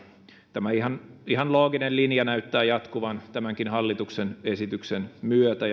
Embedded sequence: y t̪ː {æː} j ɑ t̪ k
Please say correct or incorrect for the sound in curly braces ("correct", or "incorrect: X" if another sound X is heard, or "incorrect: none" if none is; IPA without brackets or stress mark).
correct